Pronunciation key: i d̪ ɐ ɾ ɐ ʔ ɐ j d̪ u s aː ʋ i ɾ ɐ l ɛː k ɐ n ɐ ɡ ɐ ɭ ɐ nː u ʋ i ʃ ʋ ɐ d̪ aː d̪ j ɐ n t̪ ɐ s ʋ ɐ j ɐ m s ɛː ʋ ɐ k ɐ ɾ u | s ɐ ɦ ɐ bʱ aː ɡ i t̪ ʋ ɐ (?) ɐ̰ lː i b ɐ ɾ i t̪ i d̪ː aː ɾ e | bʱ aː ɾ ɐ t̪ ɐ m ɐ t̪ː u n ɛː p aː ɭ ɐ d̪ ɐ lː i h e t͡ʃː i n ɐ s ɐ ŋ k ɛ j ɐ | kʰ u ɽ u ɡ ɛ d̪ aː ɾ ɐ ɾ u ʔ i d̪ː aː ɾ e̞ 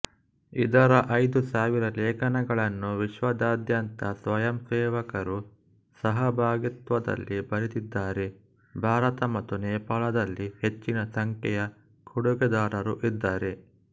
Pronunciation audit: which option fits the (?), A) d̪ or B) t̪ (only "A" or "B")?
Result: A